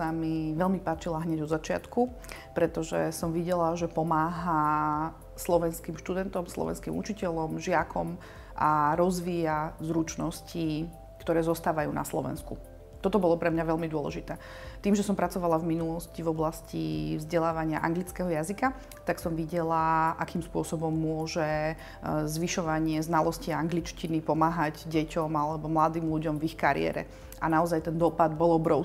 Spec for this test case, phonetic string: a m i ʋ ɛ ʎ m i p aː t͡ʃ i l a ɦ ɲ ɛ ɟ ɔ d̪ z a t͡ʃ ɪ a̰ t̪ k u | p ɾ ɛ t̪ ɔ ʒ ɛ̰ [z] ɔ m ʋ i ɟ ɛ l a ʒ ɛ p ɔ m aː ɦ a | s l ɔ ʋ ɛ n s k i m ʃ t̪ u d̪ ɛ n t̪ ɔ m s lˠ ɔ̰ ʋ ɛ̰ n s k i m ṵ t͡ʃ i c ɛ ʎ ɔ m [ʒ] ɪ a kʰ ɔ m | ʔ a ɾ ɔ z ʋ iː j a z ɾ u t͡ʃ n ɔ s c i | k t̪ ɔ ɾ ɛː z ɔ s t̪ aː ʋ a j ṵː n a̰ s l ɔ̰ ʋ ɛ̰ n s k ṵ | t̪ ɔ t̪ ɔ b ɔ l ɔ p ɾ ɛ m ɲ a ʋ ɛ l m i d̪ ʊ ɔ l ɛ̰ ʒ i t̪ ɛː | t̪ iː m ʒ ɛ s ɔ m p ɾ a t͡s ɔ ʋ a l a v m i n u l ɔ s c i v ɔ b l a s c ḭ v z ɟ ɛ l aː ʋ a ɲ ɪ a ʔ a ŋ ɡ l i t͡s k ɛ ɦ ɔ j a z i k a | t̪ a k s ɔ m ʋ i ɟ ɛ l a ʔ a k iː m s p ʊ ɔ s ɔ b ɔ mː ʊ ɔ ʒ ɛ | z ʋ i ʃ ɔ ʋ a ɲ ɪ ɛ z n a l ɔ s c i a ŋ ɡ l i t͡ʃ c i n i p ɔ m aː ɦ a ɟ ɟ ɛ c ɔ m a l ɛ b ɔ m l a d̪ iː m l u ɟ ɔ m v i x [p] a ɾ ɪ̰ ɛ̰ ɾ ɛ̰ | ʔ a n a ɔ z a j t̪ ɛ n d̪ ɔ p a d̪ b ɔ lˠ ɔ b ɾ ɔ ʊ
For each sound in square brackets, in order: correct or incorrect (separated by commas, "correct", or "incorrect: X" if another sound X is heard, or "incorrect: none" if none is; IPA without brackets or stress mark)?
incorrect: s, correct, incorrect: k